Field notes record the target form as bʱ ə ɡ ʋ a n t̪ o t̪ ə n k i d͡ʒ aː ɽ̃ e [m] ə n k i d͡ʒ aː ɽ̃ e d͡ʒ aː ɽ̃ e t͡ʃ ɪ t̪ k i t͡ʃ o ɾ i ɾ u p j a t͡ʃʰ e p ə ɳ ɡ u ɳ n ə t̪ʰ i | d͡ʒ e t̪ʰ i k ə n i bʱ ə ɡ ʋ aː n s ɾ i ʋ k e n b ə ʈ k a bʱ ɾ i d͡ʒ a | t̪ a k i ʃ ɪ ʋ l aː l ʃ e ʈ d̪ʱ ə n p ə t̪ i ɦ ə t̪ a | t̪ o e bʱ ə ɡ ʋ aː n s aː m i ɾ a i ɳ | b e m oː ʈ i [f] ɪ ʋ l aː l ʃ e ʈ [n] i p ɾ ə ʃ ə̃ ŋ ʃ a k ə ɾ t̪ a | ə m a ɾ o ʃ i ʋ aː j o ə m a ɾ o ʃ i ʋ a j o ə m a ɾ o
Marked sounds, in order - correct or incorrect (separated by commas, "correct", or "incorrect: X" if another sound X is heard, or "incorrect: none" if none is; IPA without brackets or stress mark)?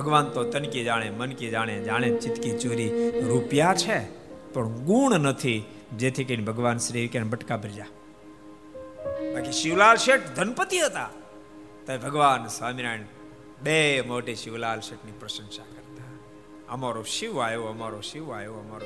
correct, incorrect: ʃ, correct